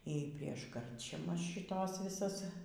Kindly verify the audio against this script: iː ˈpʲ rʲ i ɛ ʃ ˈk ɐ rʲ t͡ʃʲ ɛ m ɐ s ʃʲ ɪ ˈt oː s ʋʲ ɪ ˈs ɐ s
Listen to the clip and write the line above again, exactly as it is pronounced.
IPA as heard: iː ˈpʲ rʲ i ɛ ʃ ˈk ɐ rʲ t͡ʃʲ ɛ m ɐ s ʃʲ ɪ ˈt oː s ʋʲ ɪ ˈs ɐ s